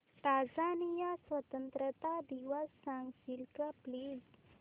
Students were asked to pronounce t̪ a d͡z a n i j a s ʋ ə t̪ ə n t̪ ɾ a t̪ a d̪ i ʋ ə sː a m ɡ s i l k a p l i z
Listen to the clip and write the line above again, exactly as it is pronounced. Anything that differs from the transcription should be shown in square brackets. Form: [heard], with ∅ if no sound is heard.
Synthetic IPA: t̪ a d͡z a n i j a s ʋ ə t̪ ə n t̪ ɾ [ə] t̪ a d̪ i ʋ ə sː a [ŋ] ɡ s i l k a p l i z